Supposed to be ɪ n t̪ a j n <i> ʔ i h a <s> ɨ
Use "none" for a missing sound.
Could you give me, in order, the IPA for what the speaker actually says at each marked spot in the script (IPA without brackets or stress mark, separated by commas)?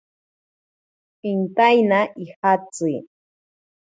a, t͡s